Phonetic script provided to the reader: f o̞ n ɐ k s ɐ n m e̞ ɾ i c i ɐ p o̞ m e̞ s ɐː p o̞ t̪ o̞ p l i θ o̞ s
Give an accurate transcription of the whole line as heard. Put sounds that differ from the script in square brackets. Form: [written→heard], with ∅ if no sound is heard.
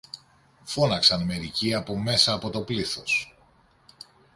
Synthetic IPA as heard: f o̞ n ɐ k s ɐ n m e̞ ɾ i c i ɐ p o̞ m e̞ s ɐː p o̞ t̪ o̞ p l i θ o̞ s